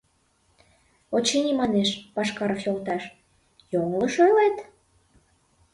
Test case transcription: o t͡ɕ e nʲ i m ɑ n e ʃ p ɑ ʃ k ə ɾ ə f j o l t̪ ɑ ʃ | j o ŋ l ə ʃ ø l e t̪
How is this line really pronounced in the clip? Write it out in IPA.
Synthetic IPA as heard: o t͡ɕ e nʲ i m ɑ n e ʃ p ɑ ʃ k ɑ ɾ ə f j o l t̪ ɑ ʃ | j o ŋ l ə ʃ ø l e t̪